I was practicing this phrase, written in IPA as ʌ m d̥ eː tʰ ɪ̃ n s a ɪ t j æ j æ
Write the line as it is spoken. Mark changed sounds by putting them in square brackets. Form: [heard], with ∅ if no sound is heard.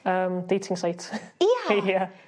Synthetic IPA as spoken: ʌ m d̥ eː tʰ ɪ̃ [ŋ] s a ɪ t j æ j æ